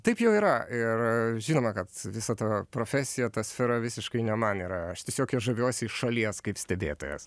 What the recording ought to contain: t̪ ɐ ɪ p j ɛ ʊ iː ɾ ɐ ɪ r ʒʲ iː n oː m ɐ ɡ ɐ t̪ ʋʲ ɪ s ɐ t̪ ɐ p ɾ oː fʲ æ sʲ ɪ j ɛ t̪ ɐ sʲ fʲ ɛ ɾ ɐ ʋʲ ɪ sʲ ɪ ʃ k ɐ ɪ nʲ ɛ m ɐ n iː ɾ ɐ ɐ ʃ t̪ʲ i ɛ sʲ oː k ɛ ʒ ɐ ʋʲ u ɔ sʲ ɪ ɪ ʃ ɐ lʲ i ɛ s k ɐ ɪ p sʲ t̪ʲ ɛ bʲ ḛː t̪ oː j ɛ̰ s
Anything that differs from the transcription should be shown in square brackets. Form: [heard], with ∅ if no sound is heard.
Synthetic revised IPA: t̪ ɐ ɪ p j ɛ ʊ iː ɾ ɐ ɪ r ʒʲ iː n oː m ɐ [k] ɐ t̪ ʋʲ ɪ s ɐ t̪ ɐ p ɾ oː fʲ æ sʲ ɪ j ɛ t̪ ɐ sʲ fʲ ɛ ɾ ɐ ʋʲ ɪ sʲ ɪ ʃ k ɐ ɪ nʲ ɛ m ɐ n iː ɾ ɐ ɐ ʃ t̪ʲ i ɛ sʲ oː k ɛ ʒ ɐ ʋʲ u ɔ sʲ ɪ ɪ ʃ ɐ lʲ i ɛ s k ɐ ɪ p sʲ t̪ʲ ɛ bʲ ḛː t̪ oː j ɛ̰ s

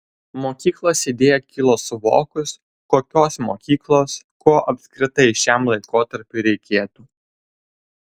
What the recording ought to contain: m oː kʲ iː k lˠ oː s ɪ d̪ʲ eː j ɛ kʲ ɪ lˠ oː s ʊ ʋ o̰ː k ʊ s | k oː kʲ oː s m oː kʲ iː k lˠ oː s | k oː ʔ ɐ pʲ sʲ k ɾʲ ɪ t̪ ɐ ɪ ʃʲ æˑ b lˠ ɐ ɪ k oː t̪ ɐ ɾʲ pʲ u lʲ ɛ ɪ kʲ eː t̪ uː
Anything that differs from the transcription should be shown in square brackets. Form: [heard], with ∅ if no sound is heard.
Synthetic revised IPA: m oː kʲ iː k lˠ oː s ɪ d̪ʲ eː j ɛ kʲ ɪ lˠ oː s ʊ ʋ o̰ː k ʊ s | k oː kʲ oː s m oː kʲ iː k lˠ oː s | k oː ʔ ɐ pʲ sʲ k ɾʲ ɪ t̪ ɐ ɪ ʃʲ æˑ [m] lˠ ɐ ɪ k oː t̪ ɐ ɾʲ pʲ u [ɾʲ] ɛ ɪ kʲ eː t̪ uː

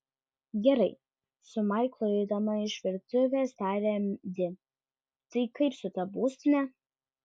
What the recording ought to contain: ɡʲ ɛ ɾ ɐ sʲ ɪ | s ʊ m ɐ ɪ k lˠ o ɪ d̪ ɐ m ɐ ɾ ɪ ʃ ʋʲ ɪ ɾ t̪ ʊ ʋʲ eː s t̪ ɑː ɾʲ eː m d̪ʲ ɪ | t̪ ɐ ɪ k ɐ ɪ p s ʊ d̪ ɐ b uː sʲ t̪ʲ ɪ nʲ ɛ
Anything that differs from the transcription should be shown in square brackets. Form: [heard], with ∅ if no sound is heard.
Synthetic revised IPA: ɡʲ ɛ ɾ ɐ [∅] ɪ | s ʊ m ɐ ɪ k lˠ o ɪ d̪ ɐ m ɐ [∅] ɪ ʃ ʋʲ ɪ ɾ t̪ ʊ ʋʲ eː s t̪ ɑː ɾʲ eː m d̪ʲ ɪ | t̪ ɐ ɪ k ɐ ɪ p s ʊ [t̪] ɐ b uː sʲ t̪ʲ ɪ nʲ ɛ

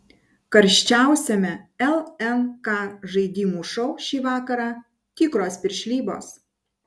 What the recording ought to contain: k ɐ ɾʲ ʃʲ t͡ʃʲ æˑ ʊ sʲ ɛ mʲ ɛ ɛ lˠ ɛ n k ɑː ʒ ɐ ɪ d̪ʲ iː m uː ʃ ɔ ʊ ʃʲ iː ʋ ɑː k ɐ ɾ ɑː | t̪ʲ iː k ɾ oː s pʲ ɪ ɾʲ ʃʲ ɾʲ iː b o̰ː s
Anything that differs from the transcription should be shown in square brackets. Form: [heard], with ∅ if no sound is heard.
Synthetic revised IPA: k ɐ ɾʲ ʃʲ t͡ʃʲ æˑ ʊ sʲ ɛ mʲ ɛ ɛ lˠ ɛ n k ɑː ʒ ɐ ɪ d̪ʲ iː m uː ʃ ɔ ʊ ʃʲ iː ʋ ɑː k ɐ ɾ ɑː | t̪ʲ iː k ɾ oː s pʲ ɪ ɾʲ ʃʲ [lʲ] iː b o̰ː s

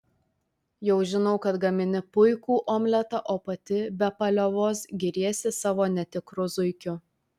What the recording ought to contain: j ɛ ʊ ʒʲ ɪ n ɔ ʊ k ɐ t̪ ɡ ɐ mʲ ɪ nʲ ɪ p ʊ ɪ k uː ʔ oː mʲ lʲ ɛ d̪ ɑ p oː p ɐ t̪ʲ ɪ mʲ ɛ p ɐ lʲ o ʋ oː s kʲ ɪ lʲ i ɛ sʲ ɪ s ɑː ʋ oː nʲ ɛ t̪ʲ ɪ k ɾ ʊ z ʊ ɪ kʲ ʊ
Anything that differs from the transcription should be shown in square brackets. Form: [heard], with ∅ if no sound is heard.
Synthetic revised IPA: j ɛ ʊ ʒʲ ɪ n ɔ ʊ k ɐ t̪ ɡ ɐ mʲ ɪ nʲ ɪ p ʊ ɪ k uː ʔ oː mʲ lʲ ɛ [t̪] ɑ [ʔ] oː p ɐ t̪ʲ ɪ [bʲ] ɛ p ɐ lʲ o ʋ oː s [ɡʲ] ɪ [ɾʲ] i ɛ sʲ ɪ s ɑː ʋ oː nʲ ɛ t̪ʲ ɪ k ɾ ʊ z ʊ ɪ kʲ ʊ

